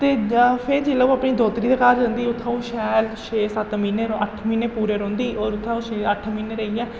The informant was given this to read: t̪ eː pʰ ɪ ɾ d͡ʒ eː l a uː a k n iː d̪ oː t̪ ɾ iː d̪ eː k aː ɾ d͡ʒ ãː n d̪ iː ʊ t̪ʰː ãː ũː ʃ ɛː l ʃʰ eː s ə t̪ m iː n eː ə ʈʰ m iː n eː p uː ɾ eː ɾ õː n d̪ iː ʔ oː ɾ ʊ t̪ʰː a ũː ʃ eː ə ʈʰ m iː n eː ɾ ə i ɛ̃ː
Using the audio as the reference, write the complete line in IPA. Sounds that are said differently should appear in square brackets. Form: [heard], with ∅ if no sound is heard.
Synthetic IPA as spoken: t̪ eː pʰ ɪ ɾ d͡ʒ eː l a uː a [p] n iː d̪ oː t̪ ɾ iː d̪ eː k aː ɾ d͡ʒ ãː n d̪ iː ʊ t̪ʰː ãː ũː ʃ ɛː l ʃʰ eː s ə t̪ m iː n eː ə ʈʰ m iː n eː p uː ɾ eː ɾ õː n d̪ iː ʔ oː ɾ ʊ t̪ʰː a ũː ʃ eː ə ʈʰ m iː n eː ɾ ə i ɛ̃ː